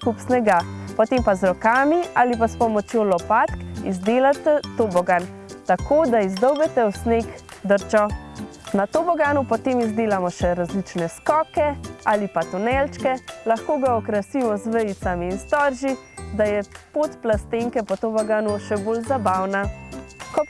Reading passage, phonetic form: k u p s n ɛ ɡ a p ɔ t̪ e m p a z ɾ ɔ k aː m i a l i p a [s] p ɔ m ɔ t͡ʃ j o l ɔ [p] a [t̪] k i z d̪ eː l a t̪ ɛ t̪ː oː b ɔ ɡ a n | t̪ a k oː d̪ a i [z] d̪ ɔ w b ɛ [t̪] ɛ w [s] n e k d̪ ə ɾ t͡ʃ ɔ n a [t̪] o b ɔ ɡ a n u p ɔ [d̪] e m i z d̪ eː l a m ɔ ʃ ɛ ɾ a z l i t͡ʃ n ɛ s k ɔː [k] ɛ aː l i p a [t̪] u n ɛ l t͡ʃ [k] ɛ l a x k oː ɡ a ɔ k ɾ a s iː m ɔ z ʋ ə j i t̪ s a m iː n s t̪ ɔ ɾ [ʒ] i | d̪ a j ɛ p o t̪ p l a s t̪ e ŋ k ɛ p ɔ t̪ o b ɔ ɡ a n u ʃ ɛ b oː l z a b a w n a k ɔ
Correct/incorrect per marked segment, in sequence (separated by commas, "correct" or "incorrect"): correct, correct, correct, correct, correct, correct, correct, incorrect, correct, correct, correct, correct